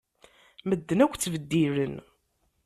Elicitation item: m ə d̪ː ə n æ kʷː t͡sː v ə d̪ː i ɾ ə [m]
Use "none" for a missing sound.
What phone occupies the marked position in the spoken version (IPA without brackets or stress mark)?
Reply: n